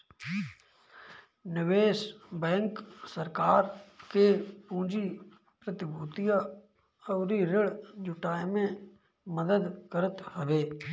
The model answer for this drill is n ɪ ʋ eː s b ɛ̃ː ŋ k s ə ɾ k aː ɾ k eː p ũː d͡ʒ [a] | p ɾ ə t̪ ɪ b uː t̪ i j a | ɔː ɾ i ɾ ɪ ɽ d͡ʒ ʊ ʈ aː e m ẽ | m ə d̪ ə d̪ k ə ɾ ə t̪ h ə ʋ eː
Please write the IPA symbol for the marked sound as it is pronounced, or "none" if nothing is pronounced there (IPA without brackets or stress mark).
i